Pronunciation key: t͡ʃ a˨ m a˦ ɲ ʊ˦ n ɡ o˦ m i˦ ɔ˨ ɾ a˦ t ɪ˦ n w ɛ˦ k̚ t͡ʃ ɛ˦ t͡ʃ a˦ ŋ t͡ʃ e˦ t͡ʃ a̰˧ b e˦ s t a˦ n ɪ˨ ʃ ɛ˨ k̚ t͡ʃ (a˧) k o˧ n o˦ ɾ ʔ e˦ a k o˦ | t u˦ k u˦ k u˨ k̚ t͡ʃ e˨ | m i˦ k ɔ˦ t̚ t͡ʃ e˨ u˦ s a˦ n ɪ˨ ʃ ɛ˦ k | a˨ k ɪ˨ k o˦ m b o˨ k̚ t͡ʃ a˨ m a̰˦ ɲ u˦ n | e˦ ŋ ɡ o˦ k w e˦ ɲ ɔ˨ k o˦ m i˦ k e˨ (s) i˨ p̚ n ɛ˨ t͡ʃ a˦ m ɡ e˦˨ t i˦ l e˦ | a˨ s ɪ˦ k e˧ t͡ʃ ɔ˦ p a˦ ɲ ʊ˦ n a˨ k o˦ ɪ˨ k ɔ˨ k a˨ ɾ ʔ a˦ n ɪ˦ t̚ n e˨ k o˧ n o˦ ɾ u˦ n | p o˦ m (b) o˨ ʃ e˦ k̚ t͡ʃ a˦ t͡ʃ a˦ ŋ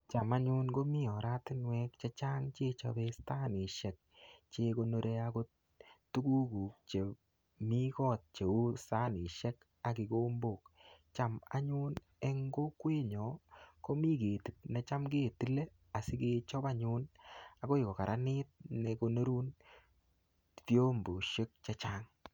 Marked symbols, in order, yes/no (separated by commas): no, no, yes